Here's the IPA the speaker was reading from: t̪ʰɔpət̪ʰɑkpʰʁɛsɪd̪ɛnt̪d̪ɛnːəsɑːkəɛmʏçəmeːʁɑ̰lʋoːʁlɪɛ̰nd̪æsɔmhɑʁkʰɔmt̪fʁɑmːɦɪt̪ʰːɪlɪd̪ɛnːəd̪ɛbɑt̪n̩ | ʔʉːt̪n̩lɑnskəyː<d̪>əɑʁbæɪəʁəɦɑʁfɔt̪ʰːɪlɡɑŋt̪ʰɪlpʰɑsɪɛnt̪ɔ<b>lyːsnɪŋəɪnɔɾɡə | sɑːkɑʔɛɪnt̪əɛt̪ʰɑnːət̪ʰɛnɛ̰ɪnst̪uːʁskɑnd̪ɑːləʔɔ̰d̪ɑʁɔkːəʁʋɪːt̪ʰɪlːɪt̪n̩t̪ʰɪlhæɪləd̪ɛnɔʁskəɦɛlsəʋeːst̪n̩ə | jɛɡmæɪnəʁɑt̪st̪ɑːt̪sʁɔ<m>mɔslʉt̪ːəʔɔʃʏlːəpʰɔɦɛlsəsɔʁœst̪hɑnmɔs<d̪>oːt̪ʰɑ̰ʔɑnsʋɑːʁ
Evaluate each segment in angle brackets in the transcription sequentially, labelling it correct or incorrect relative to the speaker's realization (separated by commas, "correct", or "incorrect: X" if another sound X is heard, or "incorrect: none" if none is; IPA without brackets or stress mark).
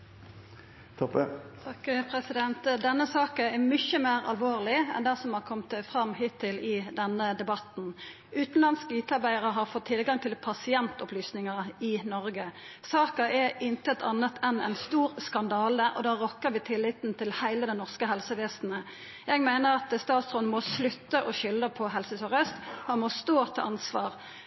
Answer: incorrect: t̪, incorrect: p, incorrect: n, incorrect: t̪